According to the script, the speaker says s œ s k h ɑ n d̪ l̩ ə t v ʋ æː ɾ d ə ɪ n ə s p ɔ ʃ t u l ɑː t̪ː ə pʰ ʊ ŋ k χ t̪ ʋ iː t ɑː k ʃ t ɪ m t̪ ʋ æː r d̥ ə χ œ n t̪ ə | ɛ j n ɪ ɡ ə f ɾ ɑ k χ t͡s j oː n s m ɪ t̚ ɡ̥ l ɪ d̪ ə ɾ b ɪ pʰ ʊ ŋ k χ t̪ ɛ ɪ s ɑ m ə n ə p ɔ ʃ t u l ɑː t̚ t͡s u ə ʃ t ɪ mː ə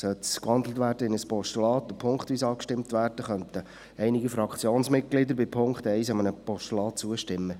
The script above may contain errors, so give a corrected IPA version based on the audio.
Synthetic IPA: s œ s k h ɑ n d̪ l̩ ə t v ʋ æː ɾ d ə ɪ n ə s p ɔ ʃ t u l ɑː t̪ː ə pʰ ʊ ŋ k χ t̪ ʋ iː s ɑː k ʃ t ɪ m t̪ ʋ æː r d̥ ə χ œ n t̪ ə | ɛ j n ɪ ɡ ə f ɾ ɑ k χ t͡s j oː n s m ɪ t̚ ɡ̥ l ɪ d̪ ə ɾ b ɪ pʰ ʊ ŋ k χ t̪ ɛ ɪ s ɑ m ə n ə p ɔ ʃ t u l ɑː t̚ t͡s u ə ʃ t ɪ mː ə